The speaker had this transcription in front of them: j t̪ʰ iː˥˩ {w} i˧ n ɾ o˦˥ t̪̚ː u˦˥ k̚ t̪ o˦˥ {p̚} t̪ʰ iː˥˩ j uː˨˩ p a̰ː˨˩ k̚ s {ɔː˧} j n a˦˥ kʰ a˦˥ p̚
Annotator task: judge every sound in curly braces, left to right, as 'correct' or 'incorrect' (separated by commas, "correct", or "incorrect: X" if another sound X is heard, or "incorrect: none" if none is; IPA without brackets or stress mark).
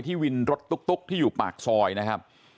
correct, incorrect: k̚, correct